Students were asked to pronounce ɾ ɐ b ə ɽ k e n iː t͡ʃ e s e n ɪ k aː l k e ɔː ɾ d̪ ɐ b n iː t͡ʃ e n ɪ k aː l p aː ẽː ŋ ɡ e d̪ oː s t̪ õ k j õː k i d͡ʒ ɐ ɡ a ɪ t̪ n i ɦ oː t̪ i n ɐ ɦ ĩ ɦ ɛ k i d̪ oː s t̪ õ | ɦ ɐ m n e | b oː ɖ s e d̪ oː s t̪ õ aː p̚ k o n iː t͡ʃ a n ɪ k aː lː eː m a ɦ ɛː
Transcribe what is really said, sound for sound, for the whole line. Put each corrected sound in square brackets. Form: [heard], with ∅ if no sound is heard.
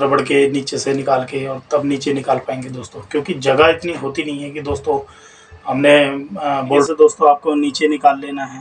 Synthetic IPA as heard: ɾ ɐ b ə ɽ k e n iː t͡ʃ e s e n ɪ k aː l k e ɔː ɾ [t̪] ɐ b n iː t͡ʃ e n ɪ k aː l p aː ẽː ŋ ɡ e d̪ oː s t̪ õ k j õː k i d͡ʒ ɐ ɡ a ɪ t̪ n i ɦ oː t̪ i n ɐ ɦ ĩ ɦ ɛ k i d̪ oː s t̪ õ | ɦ ɐ m n e | b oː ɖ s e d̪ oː s t̪ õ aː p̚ k o n iː t͡ʃ [e] n ɪ k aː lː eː [n] a ɦ ɛː